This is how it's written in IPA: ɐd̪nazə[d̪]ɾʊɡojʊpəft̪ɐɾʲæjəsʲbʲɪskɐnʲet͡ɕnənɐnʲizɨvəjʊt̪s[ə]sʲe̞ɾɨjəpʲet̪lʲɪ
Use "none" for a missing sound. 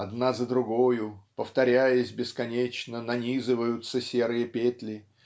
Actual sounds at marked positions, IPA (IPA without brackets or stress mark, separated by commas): d̪, ə